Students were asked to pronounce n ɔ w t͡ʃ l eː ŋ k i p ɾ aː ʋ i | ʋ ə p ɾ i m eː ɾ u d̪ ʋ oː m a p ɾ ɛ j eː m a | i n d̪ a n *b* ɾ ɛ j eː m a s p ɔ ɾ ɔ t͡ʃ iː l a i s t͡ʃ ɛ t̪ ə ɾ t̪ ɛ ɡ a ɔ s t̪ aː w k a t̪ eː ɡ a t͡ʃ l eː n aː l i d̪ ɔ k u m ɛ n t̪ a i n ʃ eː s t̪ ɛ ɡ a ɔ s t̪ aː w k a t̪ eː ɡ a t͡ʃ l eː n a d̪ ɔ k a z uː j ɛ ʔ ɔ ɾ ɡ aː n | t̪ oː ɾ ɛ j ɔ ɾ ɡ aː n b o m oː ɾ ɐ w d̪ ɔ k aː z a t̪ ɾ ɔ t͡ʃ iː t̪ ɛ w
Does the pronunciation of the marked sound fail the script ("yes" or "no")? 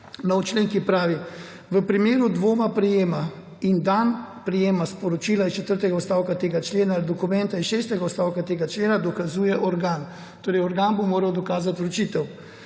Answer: yes